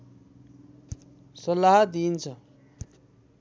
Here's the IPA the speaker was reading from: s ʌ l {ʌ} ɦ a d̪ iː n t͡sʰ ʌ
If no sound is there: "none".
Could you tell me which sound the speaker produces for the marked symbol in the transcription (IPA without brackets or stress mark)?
a